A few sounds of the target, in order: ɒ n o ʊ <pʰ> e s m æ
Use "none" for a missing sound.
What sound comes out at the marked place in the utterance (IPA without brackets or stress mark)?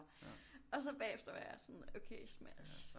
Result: kʰ